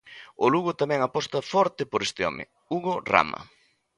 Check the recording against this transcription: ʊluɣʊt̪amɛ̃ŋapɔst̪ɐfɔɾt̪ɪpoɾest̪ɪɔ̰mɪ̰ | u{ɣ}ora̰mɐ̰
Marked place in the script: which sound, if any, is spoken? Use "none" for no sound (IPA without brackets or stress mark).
ɣ